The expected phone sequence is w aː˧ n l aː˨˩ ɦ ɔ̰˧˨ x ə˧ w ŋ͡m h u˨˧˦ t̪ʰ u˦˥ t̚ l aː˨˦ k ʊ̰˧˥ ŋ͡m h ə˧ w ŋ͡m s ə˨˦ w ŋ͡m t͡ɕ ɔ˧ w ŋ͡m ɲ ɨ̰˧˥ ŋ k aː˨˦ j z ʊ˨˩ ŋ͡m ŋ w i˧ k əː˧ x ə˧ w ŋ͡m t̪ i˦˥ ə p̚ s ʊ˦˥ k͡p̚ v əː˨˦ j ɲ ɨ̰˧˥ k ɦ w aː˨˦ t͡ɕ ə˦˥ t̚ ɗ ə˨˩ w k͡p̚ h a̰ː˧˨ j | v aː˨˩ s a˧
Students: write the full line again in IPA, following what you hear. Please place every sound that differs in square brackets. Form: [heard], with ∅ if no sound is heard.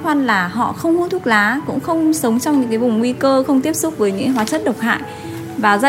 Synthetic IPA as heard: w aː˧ n l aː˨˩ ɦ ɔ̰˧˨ x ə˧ w ŋ͡m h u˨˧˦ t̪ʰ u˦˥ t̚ l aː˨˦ k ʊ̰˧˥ ŋ͡m [x] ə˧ w ŋ͡m s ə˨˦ w ŋ͡m t͡ɕ ɔ˧ w ŋ͡m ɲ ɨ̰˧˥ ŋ k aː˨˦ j [v] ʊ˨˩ ŋ͡m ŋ w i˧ k əː˧ x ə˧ w ŋ͡m t̪ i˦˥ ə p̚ s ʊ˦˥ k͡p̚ v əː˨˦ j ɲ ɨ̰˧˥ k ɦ w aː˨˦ t͡ɕ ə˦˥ t̚ ɗ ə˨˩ w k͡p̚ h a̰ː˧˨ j | v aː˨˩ [z] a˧